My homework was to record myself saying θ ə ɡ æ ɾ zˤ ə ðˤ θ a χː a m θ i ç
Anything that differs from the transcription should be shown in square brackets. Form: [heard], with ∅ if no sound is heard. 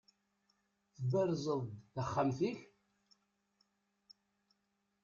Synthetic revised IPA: θ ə [b] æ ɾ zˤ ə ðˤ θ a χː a m θ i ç